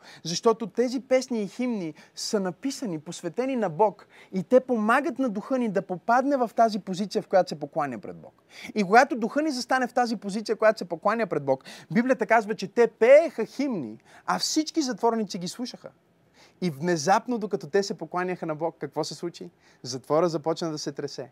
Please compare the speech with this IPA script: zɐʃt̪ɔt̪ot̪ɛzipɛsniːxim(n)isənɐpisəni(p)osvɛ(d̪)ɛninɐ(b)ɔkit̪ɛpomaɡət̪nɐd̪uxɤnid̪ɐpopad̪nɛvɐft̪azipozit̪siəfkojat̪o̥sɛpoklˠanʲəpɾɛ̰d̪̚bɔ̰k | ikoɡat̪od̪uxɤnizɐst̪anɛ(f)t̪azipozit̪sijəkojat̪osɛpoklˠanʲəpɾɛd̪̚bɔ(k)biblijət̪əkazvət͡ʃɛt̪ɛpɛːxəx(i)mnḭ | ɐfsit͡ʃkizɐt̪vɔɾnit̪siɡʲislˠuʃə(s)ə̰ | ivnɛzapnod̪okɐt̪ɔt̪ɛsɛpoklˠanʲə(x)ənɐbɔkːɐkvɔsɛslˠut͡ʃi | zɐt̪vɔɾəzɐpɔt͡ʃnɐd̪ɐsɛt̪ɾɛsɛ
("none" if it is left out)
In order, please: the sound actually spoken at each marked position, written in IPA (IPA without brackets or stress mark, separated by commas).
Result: n, p, t̪, b, f, k, i, x, x